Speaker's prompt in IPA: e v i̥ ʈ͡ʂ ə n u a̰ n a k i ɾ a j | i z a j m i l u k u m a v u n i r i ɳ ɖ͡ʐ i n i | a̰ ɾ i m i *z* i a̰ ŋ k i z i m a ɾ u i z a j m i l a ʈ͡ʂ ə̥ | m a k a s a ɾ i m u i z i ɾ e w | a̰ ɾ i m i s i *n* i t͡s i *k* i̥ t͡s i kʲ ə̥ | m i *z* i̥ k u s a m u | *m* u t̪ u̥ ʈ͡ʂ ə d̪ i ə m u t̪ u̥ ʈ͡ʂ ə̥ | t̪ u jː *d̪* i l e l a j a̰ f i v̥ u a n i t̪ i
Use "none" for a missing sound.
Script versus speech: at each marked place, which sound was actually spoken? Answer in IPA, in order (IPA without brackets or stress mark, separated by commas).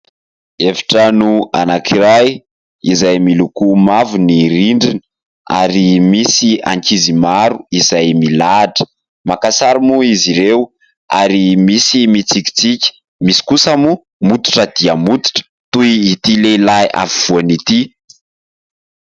s, m, k, s, m, t̪